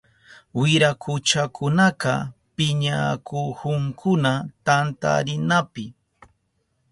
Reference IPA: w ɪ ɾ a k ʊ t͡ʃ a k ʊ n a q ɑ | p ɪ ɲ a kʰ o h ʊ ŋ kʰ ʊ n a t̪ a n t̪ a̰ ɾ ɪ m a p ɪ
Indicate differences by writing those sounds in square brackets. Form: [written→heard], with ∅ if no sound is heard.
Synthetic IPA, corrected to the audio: w ɪ ɾ a k ʊ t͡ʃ a k ʊ n a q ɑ | p ɪ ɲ a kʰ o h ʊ ŋ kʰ ʊ n a t̪ a n t̪ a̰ ɾ ɪ [m→n] a p ɪ